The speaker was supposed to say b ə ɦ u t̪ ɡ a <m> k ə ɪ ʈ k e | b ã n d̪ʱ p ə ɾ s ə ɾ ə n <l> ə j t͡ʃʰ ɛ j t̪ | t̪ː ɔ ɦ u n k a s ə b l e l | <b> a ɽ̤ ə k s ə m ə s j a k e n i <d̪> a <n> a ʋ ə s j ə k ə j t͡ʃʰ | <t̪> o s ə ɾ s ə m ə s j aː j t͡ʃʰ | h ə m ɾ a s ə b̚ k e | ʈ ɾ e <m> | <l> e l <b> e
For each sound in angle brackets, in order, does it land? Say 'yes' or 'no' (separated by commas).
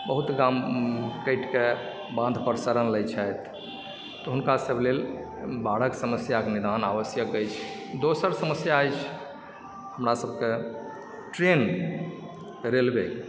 yes, yes, yes, yes, yes, no, no, no, yes